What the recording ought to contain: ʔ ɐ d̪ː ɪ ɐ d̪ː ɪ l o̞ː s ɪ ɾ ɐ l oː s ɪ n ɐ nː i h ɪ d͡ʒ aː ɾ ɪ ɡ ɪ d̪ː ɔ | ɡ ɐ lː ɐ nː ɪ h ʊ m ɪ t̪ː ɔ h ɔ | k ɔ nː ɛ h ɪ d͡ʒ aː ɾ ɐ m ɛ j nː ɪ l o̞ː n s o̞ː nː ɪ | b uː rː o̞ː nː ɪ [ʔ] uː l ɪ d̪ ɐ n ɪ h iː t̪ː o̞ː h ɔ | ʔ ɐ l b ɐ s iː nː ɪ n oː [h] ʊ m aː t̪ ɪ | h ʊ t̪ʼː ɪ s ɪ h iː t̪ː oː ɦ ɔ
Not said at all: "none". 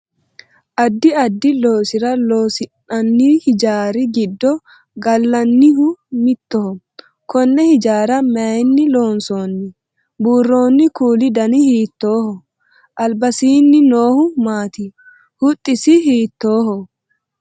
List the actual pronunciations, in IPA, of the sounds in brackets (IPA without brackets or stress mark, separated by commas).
k, h